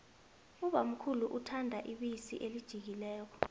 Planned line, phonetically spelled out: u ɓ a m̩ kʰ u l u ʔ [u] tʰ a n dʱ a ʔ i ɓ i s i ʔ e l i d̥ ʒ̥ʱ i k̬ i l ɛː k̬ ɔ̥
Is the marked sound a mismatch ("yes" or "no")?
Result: no